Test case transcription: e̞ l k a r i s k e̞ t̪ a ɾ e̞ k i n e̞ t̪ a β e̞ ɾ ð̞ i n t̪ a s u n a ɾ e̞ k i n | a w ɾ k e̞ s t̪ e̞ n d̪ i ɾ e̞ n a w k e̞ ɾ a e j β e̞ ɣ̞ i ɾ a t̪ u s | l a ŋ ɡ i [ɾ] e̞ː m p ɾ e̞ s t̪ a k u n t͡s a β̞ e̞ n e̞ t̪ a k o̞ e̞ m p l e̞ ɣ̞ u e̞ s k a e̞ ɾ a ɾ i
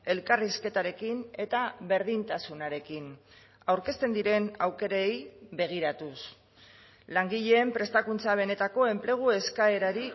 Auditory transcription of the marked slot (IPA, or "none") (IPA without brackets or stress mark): ʎ